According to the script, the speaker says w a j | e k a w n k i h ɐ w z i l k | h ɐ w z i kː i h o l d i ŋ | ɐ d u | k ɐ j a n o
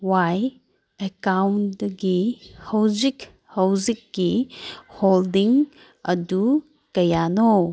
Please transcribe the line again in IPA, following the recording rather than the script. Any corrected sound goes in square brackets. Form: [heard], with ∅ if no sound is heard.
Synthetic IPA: w a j | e k a w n [ɡ] i h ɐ w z i [∅] k | h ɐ w z i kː i h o l d i ŋ | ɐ d u | k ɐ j a n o